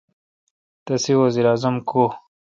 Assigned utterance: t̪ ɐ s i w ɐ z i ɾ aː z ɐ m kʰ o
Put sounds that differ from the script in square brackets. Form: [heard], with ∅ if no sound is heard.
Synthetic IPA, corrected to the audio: t̪ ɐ s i w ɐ z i ɾ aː z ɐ m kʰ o